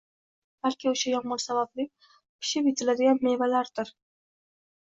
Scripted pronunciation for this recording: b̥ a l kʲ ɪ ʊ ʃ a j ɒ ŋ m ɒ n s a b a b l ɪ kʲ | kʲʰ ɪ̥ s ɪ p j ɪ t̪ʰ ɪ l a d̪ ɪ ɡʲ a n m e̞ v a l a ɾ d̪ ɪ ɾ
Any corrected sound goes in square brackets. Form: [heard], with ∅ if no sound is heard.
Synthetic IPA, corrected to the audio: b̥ a l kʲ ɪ ʊ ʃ a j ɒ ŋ m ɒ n s a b a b l ɪ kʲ | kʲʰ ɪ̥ [ʃ] ɪ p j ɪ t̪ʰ ɪ l a d̪ ɪ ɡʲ a n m e̞ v a l a ɾ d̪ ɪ ɾ